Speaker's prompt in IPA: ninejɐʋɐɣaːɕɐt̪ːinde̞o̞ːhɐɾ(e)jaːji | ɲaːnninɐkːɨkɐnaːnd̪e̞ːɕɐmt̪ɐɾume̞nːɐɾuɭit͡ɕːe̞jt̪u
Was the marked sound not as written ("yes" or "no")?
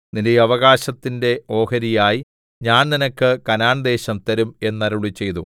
yes